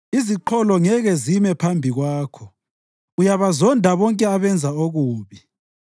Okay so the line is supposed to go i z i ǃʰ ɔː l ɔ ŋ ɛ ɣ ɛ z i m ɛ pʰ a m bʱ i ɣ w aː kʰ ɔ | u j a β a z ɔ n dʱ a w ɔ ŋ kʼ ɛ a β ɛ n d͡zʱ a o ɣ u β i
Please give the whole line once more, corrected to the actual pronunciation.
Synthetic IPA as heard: i z i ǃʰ ɔ l ɔ ŋ ɛ ɣ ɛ z i m ɛ pʰ a m bʱ i ɣ w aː kʰ ɔ | u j a β a z ɔ n dʱ a β ɔ ŋ kʼ ɛ a β ɛ n d͡zʱ a o ɣ uː β i